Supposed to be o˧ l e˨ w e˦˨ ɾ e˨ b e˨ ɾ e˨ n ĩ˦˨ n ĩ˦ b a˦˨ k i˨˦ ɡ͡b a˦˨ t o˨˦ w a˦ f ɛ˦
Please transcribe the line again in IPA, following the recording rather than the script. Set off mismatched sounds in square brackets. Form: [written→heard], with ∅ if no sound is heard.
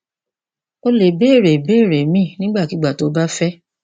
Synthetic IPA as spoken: o˧ l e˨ [w→b] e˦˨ ɾ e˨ b [e˨→e˦˨] ɾ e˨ [n→m] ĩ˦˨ n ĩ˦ [b→ɡ͡b] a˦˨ k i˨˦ ɡ͡b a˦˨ t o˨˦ [w→b] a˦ f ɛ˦